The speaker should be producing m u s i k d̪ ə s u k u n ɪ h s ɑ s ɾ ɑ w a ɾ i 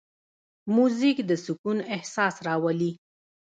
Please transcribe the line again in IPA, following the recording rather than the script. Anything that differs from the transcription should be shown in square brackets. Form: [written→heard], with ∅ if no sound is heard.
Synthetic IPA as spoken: m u [s→z] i k d̪ ə s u k u n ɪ h s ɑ s ɾ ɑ w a [ɾ→l] i